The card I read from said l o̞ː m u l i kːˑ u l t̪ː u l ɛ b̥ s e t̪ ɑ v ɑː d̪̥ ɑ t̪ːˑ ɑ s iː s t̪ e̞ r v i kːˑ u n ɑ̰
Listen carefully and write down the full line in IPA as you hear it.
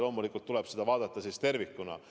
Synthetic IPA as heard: l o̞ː m u l i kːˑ u l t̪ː u l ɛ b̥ s e d̪ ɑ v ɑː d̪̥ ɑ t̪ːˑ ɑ s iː s t̪ e̞ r v i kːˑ u n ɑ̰